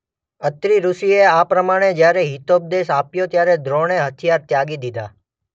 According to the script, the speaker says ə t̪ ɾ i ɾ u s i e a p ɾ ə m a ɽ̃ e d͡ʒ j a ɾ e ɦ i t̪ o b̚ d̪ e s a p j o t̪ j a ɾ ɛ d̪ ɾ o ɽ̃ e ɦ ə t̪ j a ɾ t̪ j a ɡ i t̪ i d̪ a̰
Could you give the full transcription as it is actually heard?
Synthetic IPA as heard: ə t̪ ɾ i ɾ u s i e a p ɾ ə m a ɽ̃ e d͡ʒ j a ɾ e ɦ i t̪ o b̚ d̪ e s a p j o t̪ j a ɾ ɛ d̪ ɾ o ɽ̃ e ɦ ə t̪ʰ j a ɾ t̪ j a ɡ i d̪ i d̪ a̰